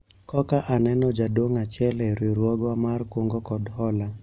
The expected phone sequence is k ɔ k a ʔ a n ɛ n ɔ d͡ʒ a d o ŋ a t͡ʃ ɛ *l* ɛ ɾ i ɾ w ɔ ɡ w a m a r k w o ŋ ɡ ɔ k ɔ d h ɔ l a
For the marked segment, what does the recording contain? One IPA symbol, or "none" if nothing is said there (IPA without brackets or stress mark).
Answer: l